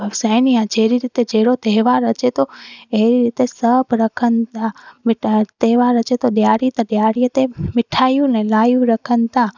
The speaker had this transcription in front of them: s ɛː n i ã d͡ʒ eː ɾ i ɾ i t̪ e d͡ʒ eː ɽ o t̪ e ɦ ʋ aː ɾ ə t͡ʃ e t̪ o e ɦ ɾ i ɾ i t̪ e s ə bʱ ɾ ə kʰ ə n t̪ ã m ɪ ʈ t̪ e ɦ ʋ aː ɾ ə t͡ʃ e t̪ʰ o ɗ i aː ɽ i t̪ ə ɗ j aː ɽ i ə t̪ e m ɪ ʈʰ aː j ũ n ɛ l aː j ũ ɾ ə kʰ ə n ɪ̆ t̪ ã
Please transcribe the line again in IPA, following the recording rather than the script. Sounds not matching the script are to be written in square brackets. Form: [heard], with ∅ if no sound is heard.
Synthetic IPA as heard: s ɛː n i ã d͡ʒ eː ɾ i ɾ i t̪ e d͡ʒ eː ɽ o t̪ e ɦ ʋ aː ɾ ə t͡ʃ e t̪ o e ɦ ɾ i ɾ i t̪ e s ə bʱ ɾ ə kʰ ə n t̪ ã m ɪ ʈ t̪ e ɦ ʋ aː ɾ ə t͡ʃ e [t̪] o ɗ [j] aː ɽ i t̪ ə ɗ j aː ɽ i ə t̪ e m ɪ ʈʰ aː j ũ n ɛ l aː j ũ ɾ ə kʰ ə n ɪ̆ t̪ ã

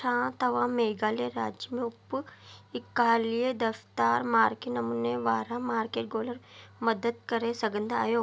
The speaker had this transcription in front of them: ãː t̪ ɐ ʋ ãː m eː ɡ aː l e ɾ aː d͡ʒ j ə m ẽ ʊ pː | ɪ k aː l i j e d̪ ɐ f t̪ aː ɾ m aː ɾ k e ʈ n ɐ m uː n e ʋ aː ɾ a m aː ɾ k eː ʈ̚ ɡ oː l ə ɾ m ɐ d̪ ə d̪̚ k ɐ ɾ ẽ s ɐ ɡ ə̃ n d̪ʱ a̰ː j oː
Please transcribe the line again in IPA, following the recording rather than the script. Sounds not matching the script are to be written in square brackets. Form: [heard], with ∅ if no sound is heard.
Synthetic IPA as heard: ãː t̪ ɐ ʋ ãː m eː ɡ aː l e ɾ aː d͡ʒ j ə m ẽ ʊ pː | ɪ k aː l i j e d̪ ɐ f t̪ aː ɾ m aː ɾ k e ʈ n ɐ m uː n e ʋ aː ɾ a m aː ɾ k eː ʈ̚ ɡ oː l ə ɾ m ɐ d̪ ə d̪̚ k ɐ ɾ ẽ s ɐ ɡ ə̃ n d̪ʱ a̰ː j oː

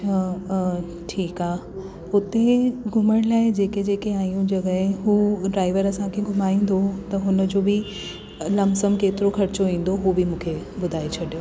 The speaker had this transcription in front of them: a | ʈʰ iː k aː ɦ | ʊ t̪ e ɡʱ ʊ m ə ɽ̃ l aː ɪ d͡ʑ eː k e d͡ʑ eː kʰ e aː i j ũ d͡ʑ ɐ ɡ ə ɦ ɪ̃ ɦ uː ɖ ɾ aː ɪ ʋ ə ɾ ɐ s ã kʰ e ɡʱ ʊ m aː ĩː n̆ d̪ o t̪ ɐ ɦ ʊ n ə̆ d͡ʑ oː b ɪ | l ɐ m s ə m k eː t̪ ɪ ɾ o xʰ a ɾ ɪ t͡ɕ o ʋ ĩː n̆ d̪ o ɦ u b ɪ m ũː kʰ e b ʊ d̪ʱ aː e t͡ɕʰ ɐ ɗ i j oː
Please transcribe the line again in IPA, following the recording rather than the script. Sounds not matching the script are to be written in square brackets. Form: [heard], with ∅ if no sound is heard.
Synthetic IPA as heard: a | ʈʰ iː k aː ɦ | ʊ t̪ e ɡʱ ʊ m ə ɽ̃ l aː ɪ d͡ʑ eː k e d͡ʑ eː [k] e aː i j ũ d͡ʑ ɐ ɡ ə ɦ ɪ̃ ɦ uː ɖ ɾ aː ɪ ʋ ə ɾ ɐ s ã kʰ e ɡʱ ʊ m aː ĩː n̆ d̪ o t̪ ɐ ɦ ʊ n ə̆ d͡ʑ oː b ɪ | l ɐ m s ə m k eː t̪ ɪ ɾ o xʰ [ɐ] ɾ ɪ t͡ɕ o ʋ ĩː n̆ d̪ o ɦ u b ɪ m ũː kʰ e b ʊ d̪ʱ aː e t͡ɕʰ ɐ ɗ i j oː

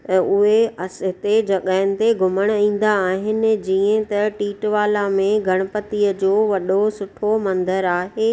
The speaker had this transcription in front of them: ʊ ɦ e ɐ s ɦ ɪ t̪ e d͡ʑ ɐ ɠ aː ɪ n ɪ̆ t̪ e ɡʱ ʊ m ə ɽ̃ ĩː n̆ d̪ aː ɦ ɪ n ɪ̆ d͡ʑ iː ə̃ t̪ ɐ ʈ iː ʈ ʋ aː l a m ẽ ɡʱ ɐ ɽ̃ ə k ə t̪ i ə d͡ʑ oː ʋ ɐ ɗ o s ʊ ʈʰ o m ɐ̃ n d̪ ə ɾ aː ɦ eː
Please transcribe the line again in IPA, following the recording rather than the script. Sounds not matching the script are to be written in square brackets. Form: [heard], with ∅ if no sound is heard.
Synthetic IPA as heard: ʊ ɦ e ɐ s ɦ ɪ t̪ e d͡ʑ ɐ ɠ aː ɪ n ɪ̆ t̪ e ɡʱ ʊ m ə ɽ̃ ĩː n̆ d̪ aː ɦ ɪ n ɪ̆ d͡ʑ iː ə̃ t̪ ɐ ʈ iː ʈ ʋ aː l a m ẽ ɡʱ ɐ ɽ̃ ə [p] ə t̪ i ə d͡ʑ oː ʋ ɐ ɗ o s ʊ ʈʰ o m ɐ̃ n d̪ ə ɾ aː ɦ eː

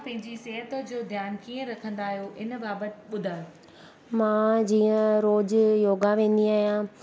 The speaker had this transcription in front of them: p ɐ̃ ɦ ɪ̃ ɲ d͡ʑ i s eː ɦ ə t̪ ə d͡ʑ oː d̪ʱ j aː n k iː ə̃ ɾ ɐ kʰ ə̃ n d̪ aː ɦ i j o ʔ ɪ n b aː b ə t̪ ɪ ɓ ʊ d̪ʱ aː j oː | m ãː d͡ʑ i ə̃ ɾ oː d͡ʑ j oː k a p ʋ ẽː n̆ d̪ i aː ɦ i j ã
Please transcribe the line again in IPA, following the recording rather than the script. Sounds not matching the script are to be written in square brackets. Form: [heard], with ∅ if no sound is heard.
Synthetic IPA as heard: p ɐ̃ ɦ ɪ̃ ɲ d͡ʑ i s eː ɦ ə t̪ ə d͡ʑ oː d̪ʱ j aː n k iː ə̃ ɾ ɐ kʰ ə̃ n d̪ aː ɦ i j o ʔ ɪ n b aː b ə t̪ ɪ ɓ ʊ d̪ʱ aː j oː | m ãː d͡ʑ [iː] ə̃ ɾ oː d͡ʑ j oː [ɡ] a [∅] ʋ ẽː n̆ d̪ i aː ɦ i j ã

